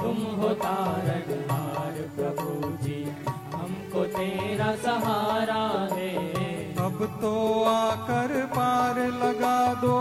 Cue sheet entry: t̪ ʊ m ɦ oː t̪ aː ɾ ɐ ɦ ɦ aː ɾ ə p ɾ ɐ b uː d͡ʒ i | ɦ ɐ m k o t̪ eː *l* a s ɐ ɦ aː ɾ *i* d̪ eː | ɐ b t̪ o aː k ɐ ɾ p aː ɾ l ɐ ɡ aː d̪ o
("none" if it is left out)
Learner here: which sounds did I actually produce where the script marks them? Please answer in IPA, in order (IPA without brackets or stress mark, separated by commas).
ɾ, a